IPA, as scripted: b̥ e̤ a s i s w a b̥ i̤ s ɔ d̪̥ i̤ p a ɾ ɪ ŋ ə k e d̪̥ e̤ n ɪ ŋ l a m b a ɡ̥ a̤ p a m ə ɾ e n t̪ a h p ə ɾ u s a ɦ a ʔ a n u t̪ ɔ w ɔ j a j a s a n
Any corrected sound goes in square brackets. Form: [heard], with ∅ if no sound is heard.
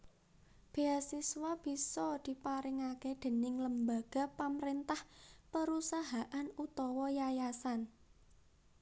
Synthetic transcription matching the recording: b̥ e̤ a s i s w a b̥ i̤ s ɔ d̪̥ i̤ p a ɾ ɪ ŋ [a] k e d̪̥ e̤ n ɪ ŋ l [ə] m b a ɡ̥ a̤ p a m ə ɾ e n t̪ a h p ə ɾ u s a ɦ a ʔ a n u t̪ ɔ w ɔ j a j a s a n